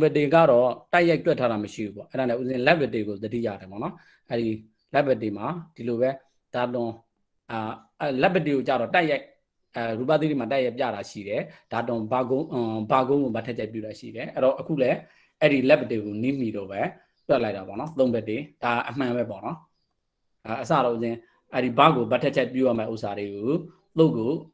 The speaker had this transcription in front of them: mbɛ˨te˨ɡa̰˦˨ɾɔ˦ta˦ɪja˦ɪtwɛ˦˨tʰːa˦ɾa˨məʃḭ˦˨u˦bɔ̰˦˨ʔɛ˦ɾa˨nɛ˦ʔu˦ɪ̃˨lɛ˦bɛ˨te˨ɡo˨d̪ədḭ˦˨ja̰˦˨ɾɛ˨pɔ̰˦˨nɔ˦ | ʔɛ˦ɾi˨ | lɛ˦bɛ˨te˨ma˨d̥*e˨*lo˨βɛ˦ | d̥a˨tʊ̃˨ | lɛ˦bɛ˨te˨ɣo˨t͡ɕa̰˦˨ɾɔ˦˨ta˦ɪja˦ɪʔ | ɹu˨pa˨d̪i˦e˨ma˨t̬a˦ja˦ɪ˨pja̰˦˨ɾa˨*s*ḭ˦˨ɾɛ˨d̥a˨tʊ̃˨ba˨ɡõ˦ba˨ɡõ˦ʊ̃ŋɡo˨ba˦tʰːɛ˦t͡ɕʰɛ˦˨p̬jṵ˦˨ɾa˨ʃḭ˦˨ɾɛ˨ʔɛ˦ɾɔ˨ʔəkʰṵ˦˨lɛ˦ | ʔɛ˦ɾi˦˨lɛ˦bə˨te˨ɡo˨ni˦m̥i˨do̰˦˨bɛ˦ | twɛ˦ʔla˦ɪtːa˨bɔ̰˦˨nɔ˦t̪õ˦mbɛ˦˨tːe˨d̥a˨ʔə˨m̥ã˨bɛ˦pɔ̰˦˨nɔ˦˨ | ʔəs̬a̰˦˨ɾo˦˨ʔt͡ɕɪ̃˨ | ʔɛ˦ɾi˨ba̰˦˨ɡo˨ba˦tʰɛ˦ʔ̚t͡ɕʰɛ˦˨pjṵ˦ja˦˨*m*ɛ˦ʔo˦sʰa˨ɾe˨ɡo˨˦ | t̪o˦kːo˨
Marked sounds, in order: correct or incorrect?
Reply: incorrect, incorrect, correct

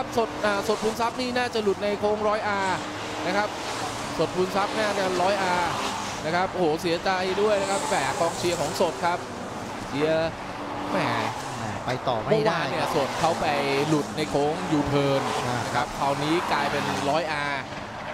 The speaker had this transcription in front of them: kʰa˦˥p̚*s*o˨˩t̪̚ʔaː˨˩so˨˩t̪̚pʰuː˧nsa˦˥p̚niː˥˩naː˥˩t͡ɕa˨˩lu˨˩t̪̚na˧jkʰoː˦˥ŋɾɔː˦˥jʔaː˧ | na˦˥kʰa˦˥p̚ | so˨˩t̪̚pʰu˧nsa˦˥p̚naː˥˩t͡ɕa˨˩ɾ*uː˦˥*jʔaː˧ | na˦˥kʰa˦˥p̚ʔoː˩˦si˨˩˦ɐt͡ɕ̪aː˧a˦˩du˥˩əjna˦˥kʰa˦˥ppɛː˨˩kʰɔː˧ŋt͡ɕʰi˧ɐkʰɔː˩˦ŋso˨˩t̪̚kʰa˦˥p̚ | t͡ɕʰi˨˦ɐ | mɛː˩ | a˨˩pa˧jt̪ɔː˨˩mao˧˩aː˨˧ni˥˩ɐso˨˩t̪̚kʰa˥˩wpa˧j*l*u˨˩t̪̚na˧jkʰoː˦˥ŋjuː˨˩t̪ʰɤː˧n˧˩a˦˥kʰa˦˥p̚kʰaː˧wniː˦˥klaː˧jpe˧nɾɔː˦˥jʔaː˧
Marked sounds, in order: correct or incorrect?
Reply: correct, incorrect, correct

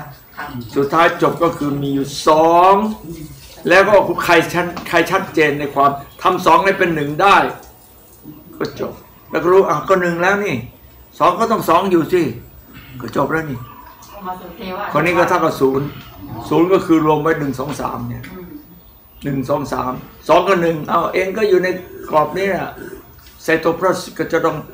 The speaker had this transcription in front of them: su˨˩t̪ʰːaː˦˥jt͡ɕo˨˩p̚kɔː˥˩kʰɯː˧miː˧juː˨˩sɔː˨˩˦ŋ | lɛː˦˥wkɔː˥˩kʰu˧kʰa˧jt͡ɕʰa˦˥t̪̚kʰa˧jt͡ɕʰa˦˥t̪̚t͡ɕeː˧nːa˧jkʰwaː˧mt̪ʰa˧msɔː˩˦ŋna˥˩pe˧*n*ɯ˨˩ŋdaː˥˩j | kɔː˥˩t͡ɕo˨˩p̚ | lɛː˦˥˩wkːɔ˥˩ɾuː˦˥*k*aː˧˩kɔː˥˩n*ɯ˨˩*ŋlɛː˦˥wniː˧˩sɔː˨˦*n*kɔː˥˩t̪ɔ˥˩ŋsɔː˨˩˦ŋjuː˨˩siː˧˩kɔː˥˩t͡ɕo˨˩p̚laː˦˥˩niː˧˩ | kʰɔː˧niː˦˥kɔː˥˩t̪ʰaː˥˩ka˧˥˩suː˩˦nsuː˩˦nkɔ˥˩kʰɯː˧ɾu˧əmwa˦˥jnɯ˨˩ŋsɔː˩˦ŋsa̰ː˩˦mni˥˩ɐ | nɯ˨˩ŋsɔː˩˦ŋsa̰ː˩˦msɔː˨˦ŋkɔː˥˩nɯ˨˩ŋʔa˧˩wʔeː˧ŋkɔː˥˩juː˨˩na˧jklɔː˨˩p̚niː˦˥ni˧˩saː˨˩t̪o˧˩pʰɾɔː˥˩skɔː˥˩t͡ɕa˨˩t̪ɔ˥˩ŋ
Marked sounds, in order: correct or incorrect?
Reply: incorrect, incorrect, correct, incorrect

